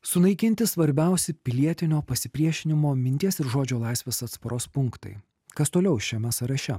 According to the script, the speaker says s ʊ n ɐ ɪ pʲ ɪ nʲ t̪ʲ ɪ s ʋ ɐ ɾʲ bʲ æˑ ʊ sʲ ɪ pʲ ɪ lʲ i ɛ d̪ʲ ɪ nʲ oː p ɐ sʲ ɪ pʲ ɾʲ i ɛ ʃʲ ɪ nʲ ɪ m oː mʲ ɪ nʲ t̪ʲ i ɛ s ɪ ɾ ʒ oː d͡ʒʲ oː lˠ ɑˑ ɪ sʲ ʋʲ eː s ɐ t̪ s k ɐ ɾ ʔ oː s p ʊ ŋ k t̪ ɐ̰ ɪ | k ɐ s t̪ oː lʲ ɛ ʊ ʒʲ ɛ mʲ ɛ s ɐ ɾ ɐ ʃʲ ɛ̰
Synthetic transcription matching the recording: s ʊ n ɐ ɪ kʲ ɪ nʲ t̪ʲ ɪ s ʋ ɐ ɾʲ bʲ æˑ ʊ sʲ ɪ pʲ ɪ lʲ i ɛ t̪ʲ ɪ nʲ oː p ɐ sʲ ɪ pʲ ɾʲ i ɛ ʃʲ ɪ nʲ ɪ m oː mʲ ɪ nʲ t̪ʲ i ɛ s ɪ ɾ ʒ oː d͡ʒʲ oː lˠ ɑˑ ɪ sʲ ʋʲ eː s ɐ t̪ s p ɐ ɾ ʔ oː s p ʊ ŋ k t̪ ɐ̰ ɪ | k ɐ s t̪ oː lʲ ɛ ʊ ʃʲ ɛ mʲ ɛ s ɐ ɾ ɐ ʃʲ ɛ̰